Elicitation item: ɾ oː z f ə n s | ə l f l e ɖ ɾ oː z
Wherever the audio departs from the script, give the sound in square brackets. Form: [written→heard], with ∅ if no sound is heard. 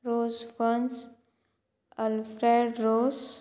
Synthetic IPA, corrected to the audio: ɾ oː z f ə n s | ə l f [l→ɾ] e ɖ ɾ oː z